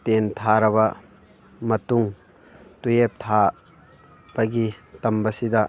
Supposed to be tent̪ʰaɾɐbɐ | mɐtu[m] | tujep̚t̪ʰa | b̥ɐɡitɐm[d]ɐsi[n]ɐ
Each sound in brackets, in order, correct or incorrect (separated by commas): incorrect, incorrect, incorrect